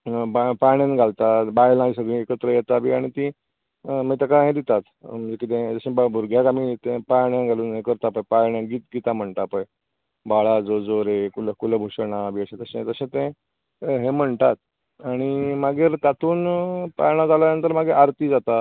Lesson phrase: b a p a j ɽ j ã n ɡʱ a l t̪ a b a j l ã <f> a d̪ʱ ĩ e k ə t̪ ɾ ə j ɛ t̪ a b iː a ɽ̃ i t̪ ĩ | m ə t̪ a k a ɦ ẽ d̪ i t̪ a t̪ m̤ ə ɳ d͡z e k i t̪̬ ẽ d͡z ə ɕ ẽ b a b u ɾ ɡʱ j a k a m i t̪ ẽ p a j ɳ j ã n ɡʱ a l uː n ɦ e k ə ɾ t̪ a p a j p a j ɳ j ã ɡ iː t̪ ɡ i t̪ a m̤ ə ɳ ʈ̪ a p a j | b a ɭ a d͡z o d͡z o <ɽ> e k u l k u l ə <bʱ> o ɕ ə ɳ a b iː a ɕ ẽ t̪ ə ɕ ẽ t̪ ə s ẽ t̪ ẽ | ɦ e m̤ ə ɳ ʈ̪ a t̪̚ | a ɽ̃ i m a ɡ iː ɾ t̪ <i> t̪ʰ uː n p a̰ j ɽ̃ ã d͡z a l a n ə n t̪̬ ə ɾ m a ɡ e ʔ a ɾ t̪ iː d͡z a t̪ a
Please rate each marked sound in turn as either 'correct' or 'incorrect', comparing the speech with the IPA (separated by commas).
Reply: incorrect, incorrect, correct, incorrect